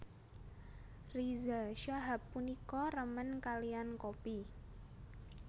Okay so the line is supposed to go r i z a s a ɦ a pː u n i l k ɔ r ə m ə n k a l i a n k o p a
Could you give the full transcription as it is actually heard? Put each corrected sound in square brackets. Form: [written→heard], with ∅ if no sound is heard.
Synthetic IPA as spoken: r i z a [s→ʃ] a ɦ a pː u n i [l→∅] k ɔ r ə m ə n k a l i a n k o p [a→i]